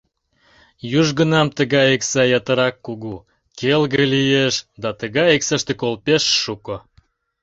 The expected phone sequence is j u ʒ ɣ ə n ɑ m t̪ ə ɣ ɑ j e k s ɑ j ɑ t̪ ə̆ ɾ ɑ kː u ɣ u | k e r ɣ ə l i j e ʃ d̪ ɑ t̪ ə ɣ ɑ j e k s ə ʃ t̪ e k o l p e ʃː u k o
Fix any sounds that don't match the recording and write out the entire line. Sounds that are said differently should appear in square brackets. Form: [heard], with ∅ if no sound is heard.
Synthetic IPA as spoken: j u ʒ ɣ ə n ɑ m t̪ ə ɣ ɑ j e k s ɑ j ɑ t̪ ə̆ ɾ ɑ kː u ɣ u | k e [l] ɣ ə l i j e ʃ d̪ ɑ t̪ ə ɣ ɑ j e k s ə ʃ t̪ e k o l p e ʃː u k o